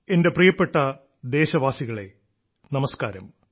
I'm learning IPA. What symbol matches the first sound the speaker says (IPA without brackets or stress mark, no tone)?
e̞